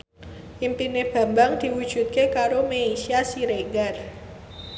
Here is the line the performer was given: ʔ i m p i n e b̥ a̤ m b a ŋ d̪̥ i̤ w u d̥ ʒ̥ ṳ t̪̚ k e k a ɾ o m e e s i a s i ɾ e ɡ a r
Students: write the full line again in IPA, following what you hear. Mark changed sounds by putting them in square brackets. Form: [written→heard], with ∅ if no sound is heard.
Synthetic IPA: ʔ i m p i n e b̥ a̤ m b a ŋ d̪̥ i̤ w u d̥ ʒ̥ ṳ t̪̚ k e k a ɾ o m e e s i a s i ɾ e ɡ a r